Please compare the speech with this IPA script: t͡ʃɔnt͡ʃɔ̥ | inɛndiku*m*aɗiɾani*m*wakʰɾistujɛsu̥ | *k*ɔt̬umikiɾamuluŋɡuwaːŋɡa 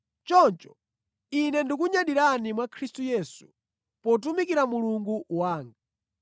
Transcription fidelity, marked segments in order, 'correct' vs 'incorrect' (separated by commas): incorrect, correct, incorrect